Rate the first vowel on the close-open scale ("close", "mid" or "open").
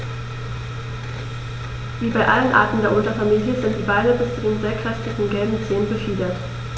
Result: close